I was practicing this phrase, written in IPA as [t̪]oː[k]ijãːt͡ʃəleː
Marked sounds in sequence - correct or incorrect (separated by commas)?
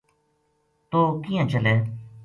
correct, correct